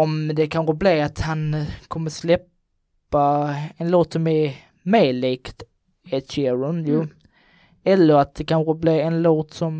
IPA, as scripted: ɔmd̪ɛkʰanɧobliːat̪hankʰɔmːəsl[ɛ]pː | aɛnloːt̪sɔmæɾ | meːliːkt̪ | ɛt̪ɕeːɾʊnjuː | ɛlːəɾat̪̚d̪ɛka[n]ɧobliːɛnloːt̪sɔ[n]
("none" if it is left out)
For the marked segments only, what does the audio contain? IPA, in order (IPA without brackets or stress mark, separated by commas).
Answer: ɛ, n, m